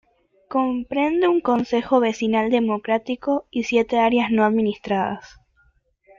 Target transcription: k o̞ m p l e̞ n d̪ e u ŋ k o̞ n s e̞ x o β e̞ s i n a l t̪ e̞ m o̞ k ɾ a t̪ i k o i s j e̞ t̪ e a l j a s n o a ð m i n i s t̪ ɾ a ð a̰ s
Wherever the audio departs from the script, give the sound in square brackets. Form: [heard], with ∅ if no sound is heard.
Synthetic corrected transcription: k o̞ m p [ɾ] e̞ n d̪ e u ŋ k o̞ n s e̞ x o β e̞ s i n a l [d̪] e̞ m o̞ k ɾ a t̪ i k o i s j e̞ t̪ e a [ɾ] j a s n o a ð m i n i s t̪ ɾ a ð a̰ s